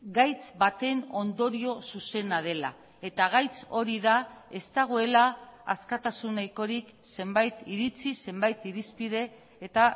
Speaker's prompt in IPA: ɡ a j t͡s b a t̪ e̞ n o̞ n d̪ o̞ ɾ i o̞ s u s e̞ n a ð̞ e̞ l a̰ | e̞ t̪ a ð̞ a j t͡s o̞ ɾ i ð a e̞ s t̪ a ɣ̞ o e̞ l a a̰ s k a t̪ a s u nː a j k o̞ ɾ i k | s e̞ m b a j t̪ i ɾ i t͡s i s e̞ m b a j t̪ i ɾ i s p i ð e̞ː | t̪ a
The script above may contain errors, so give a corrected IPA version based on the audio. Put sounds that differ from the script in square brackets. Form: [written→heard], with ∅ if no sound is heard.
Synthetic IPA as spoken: ɡ a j t͡s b a t̪ e̞ n o̞ n d̪ o̞ ɾ i o̞ s u s e̞ n a ð̞ e̞ l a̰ | e̞ t̪ a [ð̞→ɣ̞] a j t͡s o̞ ɾ i ð a e̞ s t̪ a ɣ̞ o e̞ l a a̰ s k a t̪ a s u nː a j k o̞ ɾ i k | s e̞ m b a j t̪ i ɾ i t͡s i s e̞ m b a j t̪ i ɾ i s p i ð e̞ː | t̪ a